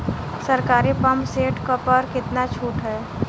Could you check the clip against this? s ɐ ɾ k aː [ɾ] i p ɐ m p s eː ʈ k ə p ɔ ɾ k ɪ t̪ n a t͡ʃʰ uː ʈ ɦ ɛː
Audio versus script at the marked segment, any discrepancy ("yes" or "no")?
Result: no